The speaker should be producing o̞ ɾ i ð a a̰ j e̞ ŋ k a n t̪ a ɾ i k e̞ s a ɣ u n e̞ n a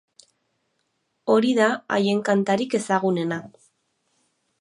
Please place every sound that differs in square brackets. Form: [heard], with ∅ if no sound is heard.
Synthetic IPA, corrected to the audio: o̞ ɾ i ð a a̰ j e̞ ŋ k a n t̪ a ɾ i k e̞ s a ɣ u n e̞ n a

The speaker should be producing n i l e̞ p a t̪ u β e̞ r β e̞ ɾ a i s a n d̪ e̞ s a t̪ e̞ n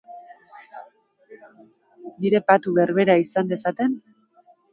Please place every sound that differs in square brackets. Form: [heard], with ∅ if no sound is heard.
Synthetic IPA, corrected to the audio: n i [ɾ] e̞ p a t̪ u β e̞ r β e̞ ɾ a i s a n d̪ e̞ s a t̪ e̞ n

